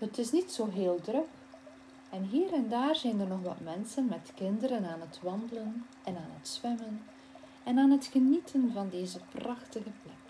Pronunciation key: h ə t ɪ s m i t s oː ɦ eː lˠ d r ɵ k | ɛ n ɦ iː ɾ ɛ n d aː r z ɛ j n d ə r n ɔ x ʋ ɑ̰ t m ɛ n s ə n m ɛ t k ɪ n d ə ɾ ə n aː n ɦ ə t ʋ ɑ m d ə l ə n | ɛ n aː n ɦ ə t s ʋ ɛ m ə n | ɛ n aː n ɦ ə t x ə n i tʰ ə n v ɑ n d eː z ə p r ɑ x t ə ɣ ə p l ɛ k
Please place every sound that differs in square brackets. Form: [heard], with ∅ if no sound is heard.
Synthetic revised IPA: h ə t ɪ s [n] i t s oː ɦ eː lˠ d r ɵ k | ɛ n ɦ iː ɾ ɛ n d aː r z ɛ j n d ə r n ɔ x ʋ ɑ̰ t m ɛ n s ə n m ɛ t k ɪ n d ə ɾ ə n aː n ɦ ə t ʋ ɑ [n] d ə l ə n | ɛ n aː n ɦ ə t s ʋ ɛ m ə n | ɛ n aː n ɦ ə t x ə n i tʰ ə n v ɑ n d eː z ə p r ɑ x t ə ɣ ə p l ɛ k